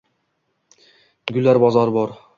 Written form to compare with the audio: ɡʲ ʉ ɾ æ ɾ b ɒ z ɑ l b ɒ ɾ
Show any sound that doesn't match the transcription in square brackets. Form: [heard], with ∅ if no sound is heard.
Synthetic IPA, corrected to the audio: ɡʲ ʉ [l] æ ɾ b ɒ z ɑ [ɾ] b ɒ ɾ